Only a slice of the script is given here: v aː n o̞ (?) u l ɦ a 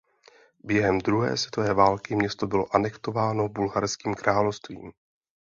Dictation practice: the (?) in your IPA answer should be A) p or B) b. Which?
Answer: B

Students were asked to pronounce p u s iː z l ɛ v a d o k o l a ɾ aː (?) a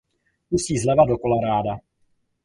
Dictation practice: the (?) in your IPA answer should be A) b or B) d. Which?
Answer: B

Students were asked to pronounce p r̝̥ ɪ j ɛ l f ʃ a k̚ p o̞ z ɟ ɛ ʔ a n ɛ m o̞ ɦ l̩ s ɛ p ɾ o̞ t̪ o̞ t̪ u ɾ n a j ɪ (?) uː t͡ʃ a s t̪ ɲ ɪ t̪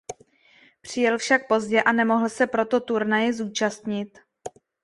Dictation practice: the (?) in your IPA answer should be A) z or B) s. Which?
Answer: A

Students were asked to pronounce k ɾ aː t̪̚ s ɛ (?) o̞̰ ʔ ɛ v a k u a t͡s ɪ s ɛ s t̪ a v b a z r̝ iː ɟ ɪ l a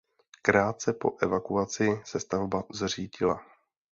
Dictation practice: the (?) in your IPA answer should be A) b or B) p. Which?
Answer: B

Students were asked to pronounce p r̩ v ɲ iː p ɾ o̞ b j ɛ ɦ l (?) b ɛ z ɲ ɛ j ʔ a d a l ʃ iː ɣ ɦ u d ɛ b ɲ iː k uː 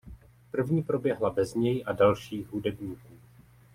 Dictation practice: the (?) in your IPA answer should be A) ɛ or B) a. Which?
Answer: B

